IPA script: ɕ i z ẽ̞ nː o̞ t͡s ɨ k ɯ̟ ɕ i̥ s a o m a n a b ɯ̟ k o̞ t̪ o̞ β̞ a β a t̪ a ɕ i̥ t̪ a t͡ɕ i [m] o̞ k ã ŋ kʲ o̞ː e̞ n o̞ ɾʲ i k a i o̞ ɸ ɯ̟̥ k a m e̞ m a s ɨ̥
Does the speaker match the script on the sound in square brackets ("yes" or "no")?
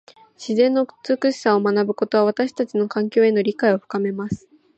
no